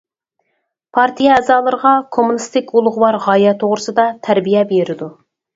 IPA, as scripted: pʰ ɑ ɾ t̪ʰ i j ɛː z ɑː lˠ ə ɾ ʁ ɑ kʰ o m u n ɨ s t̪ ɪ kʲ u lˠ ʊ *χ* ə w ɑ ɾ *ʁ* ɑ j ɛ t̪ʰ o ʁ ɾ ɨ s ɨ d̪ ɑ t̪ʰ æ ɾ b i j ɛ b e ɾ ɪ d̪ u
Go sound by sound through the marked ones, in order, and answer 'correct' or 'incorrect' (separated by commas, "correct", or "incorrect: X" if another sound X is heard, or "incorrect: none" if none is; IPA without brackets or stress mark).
incorrect: ʁ, correct